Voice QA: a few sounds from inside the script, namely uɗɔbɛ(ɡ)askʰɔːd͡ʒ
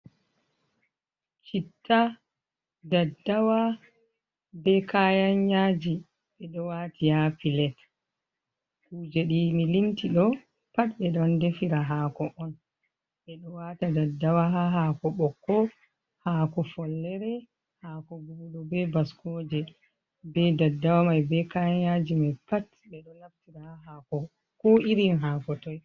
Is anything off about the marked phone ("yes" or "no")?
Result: yes